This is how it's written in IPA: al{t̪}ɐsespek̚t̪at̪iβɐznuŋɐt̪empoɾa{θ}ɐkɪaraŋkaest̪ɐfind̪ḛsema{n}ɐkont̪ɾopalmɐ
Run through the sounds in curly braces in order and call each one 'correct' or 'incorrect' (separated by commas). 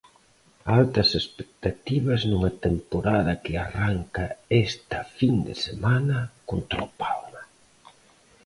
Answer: correct, incorrect, correct